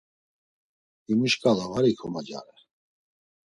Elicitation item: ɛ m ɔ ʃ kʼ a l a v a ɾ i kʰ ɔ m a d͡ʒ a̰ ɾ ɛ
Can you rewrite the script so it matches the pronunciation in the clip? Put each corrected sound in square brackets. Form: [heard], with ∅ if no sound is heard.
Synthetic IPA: [i] m [u] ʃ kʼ a l a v a ɾ i kʰ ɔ m a d͡ʒ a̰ ɾ ɛ